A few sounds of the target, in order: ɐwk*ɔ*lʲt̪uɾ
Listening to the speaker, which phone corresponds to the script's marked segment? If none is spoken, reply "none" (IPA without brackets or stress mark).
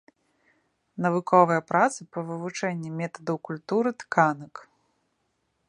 u